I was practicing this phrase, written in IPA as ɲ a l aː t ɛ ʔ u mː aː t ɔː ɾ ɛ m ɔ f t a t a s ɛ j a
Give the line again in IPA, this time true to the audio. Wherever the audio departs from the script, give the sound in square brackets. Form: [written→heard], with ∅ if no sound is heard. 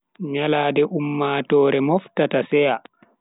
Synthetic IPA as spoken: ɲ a l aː [t→d] ɛ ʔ u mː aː t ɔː ɾ ɛ m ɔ f t a t a s ɛ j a